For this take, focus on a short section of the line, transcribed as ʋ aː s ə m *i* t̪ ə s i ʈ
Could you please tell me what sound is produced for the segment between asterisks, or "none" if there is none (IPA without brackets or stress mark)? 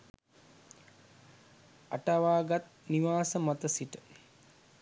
a